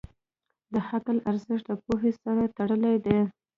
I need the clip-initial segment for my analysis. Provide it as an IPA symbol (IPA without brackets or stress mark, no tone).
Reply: d̪